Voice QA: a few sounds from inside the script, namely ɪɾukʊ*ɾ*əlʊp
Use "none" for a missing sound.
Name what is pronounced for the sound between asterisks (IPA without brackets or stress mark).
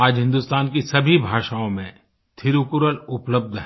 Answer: ɾ